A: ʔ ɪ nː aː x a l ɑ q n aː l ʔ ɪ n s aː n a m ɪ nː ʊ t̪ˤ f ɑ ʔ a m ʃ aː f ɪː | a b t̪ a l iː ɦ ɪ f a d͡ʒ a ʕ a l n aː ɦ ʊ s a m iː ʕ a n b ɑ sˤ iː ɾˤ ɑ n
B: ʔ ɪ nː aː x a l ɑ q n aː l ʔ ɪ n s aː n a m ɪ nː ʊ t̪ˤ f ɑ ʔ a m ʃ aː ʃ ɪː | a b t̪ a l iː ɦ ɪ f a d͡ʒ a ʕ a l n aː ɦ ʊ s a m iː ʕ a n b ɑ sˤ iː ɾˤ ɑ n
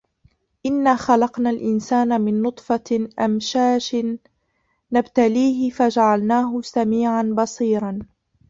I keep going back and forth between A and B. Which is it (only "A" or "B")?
B